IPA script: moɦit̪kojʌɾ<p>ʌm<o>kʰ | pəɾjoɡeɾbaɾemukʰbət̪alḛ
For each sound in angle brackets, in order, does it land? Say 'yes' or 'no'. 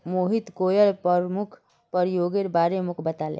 yes, no

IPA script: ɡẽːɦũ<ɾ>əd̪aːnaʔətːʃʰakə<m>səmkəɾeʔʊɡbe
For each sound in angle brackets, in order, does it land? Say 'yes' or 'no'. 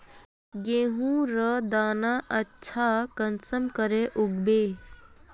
yes, no

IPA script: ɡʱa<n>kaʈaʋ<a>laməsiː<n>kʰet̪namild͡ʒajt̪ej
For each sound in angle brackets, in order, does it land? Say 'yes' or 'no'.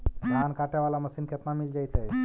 yes, yes, yes

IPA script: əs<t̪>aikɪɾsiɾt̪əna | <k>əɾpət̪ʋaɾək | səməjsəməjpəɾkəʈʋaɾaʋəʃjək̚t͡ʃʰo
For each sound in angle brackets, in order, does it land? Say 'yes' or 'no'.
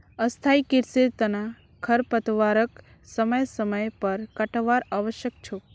no, no

